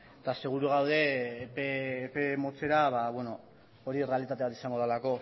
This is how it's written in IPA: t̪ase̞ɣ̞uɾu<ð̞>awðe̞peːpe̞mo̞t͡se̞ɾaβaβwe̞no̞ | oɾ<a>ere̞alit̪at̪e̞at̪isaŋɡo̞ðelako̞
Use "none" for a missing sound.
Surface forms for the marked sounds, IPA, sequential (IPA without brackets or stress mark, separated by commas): ɣ̞, i